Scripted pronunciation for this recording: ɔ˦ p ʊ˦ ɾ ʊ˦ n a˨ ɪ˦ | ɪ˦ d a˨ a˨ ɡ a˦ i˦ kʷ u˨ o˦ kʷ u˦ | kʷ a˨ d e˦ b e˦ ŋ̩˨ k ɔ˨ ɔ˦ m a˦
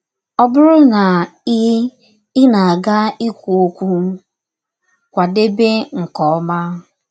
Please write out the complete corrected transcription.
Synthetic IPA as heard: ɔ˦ b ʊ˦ ɾ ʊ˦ n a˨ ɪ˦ | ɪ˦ n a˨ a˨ ɡ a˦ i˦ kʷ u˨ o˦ kʷ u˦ | kʷ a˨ d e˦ b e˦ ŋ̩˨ k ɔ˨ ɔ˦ m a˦